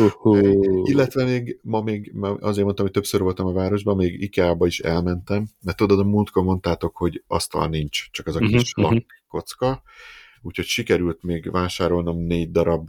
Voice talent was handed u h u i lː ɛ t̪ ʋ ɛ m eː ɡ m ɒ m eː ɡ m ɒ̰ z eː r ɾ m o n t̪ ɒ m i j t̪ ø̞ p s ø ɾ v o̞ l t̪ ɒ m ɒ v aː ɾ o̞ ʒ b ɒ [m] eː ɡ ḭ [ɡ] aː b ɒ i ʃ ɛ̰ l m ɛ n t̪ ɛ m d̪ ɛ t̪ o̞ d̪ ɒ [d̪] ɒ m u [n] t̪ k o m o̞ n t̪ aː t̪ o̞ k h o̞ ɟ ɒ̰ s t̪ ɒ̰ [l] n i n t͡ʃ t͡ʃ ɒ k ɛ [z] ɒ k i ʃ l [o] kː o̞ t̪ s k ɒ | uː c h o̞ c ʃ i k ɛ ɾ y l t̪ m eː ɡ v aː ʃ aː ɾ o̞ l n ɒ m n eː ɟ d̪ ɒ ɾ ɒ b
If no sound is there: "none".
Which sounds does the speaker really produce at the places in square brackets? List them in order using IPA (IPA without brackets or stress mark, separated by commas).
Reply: m, k, d̪, n, l, z, ɒ